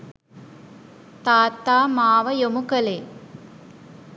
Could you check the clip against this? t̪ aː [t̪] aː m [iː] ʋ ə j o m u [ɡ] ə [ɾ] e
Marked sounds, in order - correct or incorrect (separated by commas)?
correct, incorrect, incorrect, incorrect